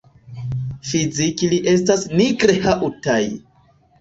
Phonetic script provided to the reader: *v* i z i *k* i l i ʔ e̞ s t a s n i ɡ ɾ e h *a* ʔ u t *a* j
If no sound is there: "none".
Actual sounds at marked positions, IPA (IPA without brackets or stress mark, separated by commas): f, k, a, a